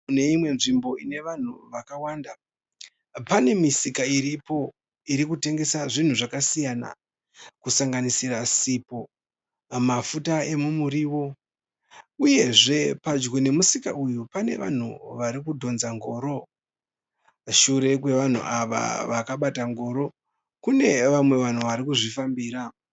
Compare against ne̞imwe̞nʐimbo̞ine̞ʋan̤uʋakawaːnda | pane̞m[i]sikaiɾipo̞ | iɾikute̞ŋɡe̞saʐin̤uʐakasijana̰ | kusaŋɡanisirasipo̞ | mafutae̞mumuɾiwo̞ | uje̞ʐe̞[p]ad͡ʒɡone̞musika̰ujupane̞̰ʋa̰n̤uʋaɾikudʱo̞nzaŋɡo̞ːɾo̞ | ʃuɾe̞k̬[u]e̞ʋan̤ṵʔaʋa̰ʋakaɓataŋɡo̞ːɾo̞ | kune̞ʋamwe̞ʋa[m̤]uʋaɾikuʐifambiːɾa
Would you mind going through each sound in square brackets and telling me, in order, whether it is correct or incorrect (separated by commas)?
correct, correct, incorrect, incorrect